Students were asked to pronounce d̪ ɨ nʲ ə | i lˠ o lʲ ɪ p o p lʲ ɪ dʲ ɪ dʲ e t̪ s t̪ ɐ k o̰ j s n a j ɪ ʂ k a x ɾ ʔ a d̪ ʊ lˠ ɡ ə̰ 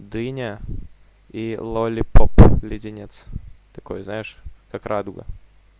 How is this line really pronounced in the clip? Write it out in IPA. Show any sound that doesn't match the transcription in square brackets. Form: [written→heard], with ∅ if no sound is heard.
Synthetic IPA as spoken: d̪ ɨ nʲ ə | i lˠ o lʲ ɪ p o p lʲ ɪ dʲ ɪ [dʲ→nʲ] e t̪ s t̪ ɐ k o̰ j [s→z] n a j ɪ ʂ k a [x→k] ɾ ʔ a d̪ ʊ [lˠ→∅] ɡ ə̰